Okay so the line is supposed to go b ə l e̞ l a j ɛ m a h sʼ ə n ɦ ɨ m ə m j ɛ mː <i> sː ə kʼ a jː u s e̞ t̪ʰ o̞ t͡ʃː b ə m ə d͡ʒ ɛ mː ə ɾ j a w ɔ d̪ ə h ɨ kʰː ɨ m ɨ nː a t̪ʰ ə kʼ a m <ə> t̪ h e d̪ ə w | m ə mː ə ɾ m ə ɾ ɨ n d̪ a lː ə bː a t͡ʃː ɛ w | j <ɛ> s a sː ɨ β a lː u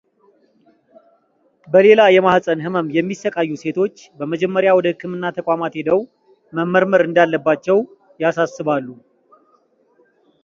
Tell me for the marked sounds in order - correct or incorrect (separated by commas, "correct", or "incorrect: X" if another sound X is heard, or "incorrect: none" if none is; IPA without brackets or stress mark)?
correct, incorrect: a, incorrect: a